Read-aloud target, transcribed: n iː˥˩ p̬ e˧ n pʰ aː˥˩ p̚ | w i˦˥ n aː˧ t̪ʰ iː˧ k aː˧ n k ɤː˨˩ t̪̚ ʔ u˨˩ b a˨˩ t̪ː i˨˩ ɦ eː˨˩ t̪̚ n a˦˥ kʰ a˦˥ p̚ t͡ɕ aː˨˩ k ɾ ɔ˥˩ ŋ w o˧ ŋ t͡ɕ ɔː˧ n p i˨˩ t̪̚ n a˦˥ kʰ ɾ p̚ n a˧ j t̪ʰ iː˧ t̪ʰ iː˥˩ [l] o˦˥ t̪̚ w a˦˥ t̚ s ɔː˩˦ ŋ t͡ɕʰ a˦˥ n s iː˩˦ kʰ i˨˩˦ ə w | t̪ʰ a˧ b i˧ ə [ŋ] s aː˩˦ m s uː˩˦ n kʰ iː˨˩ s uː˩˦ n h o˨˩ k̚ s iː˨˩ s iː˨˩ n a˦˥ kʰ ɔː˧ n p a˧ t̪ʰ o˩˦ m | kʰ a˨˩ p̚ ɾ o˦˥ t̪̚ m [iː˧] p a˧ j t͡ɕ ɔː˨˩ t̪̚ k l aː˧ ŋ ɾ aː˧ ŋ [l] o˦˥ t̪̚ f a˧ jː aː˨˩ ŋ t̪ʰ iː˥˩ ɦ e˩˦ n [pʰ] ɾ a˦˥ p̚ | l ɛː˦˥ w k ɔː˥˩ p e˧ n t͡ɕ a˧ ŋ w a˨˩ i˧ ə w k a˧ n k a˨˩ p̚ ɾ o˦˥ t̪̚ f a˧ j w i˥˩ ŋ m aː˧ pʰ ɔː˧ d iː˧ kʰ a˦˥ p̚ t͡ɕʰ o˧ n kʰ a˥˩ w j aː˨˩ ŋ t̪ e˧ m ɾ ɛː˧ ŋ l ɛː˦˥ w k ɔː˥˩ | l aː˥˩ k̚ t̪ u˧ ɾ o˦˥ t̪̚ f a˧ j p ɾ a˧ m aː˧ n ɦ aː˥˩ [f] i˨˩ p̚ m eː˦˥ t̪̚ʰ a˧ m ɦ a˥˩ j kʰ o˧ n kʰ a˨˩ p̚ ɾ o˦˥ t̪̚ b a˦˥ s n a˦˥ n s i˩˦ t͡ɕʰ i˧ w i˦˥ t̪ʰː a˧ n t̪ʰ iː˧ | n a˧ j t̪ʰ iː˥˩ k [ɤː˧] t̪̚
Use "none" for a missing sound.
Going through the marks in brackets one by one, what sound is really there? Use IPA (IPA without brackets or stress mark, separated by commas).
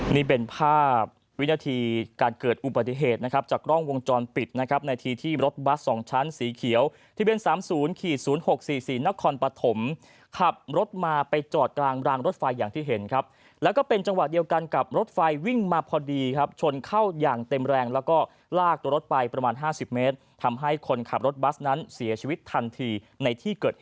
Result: ɾ, n, aː˧, ɾ, kʰ, s, ɤː˨˩